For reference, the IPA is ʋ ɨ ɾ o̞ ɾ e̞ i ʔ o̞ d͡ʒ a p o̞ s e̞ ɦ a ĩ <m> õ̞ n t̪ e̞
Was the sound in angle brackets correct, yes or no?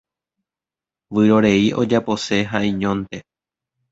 no